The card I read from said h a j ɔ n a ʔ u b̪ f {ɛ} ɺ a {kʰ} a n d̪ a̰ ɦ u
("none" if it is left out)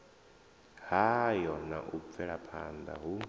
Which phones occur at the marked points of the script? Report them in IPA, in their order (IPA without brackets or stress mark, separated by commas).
ɛ, pʰ